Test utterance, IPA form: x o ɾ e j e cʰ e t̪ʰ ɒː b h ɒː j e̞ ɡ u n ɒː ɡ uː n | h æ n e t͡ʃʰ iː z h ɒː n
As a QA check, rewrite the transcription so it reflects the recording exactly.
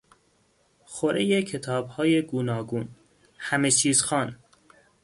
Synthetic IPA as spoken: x o ɾ e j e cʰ e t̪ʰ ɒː b h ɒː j e̞ ɡ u n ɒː ɡ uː n | h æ m e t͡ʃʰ iː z x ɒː n